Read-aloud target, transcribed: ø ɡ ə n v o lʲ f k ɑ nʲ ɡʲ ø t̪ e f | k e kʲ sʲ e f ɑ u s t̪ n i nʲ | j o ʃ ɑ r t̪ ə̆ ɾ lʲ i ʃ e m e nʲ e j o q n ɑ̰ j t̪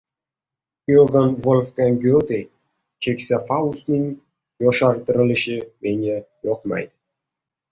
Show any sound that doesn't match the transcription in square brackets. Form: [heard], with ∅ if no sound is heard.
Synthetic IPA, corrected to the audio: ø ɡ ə n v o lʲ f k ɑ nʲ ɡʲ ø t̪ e [∅] | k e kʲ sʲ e f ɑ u s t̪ n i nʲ | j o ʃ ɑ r t̪ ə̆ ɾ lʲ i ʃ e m e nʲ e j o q [m] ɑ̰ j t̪